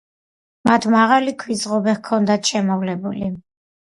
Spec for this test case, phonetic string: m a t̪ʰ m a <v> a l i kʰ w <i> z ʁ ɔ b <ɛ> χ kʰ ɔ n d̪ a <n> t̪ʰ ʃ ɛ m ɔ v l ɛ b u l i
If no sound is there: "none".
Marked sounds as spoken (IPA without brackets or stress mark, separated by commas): ʁ, i, ɛ, none